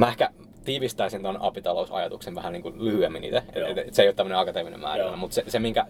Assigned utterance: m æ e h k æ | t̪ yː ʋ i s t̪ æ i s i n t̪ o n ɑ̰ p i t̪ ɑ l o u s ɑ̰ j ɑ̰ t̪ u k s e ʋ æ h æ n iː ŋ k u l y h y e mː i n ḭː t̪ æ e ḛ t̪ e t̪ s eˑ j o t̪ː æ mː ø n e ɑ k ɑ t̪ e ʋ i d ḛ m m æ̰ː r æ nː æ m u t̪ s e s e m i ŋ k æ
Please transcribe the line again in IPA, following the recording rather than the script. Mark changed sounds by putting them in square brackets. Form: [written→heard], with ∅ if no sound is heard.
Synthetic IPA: m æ e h k æ | t̪ [yː→iː] ʋ i s t̪ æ i s i n t̪ o n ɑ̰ p i t̪ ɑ l o u s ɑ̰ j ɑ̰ t̪ u k s e ʋ æ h æ n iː ŋ k u l y h y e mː i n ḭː t̪ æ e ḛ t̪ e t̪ s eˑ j o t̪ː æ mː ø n e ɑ k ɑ t̪ e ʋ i [d→n] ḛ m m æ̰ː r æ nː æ m u t̪ s e s e m i ŋ k æ